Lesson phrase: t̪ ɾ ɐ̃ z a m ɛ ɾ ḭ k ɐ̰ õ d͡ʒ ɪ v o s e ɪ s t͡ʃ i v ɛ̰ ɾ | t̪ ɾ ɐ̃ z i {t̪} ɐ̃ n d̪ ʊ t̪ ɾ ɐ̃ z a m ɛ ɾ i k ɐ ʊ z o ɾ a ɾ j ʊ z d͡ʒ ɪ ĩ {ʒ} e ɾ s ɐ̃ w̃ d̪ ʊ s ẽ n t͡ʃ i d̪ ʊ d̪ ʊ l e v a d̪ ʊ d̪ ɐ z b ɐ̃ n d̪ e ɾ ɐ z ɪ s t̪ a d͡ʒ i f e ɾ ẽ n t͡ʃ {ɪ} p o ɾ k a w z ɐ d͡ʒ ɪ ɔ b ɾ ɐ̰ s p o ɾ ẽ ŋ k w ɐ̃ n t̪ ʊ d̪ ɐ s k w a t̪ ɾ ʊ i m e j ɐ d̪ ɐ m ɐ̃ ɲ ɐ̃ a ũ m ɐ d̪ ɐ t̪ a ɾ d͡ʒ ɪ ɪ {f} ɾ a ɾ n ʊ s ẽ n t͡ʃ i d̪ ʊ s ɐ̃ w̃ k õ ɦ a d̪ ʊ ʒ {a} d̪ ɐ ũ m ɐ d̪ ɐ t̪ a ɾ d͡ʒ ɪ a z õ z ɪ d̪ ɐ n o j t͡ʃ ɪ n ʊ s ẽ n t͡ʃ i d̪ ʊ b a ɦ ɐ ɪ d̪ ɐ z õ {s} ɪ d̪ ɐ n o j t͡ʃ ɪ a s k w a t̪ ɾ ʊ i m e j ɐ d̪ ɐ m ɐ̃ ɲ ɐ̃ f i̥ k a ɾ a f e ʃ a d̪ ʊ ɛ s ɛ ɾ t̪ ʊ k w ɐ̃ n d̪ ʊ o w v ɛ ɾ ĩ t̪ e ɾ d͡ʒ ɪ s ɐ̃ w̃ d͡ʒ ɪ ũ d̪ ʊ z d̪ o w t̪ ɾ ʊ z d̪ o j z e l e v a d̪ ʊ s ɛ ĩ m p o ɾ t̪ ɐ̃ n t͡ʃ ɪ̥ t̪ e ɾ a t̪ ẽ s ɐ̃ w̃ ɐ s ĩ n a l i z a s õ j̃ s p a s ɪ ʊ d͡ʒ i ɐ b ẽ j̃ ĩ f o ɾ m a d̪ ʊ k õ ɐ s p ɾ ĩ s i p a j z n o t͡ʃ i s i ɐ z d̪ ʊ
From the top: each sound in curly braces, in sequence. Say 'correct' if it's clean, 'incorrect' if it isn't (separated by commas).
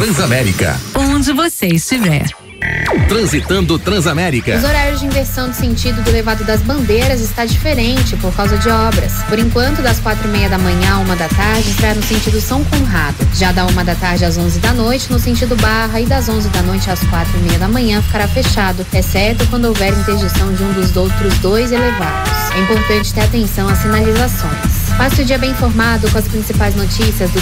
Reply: correct, incorrect, correct, incorrect, correct, incorrect